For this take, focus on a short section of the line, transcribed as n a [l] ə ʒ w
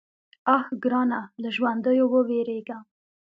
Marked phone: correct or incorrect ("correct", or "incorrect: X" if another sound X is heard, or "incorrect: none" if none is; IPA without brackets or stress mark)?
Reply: correct